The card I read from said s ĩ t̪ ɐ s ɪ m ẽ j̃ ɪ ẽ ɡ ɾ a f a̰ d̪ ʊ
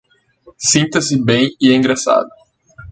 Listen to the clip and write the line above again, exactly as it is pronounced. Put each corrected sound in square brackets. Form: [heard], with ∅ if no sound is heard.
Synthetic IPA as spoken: s ĩ t̪ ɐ s ɪ [b] ẽ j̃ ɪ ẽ ɡ ɾ a [s] a̰ d̪ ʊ